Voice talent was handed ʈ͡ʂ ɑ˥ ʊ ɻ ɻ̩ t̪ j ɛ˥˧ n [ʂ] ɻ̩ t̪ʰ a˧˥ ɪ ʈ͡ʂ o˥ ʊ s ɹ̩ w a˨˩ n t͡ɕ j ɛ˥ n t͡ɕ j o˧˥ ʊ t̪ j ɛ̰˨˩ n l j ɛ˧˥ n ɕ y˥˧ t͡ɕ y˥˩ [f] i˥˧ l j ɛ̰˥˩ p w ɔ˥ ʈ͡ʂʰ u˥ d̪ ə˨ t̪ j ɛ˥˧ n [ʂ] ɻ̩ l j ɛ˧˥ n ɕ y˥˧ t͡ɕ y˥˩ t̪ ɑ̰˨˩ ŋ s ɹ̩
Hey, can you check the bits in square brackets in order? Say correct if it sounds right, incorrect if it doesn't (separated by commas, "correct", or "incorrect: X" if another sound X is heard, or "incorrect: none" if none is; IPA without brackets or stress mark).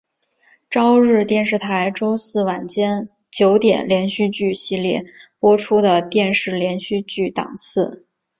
correct, incorrect: ɕ, correct